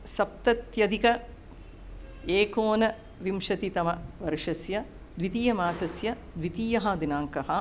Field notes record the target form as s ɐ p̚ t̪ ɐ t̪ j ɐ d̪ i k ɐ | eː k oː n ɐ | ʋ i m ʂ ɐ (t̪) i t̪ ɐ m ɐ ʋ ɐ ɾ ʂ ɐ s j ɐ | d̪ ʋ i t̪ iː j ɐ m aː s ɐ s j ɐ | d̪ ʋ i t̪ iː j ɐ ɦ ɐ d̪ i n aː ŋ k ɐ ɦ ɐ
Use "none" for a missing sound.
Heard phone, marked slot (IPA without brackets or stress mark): t̪